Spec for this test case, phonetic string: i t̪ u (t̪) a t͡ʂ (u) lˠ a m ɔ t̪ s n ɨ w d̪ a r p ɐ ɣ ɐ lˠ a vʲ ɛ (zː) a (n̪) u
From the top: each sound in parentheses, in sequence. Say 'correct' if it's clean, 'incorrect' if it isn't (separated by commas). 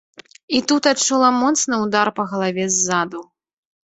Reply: correct, correct, correct, incorrect